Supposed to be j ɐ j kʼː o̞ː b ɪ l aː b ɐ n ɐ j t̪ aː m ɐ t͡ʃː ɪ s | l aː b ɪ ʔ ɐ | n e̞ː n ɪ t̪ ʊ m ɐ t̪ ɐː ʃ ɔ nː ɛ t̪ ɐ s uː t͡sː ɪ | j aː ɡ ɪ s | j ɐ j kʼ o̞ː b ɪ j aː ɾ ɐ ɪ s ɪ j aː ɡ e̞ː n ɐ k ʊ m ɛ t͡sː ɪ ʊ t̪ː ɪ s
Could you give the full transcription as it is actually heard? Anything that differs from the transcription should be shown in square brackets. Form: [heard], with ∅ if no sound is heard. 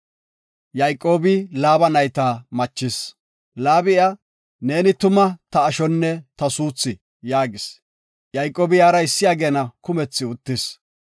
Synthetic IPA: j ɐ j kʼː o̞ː b ɪ l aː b ɐ n ɐ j t̪ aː m ɐ t͡ʃː ɪ s | l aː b ɪ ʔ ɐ | n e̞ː n ɪ t̪ ʊ m ɐ t̪ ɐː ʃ ɔ nː ɛ t̪ ɐ s uː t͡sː ɪ | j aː ɡ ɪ s | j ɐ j kʼ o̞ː b ɪ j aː ɾ ɐ ɪ [sː] ɪ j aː ɡ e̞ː n ɐ k ʊ m ɛ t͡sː ɪ ʊ t̪ː ɪ s